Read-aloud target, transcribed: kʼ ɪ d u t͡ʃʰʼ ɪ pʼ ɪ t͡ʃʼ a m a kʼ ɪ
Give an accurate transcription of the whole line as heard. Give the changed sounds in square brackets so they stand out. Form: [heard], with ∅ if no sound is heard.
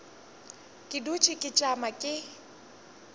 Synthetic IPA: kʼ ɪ d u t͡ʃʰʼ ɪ [kʼ] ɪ t͡ʃʼ a m a kʼ ɪ